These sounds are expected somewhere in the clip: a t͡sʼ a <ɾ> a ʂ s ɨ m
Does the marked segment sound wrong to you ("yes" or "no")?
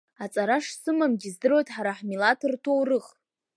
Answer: no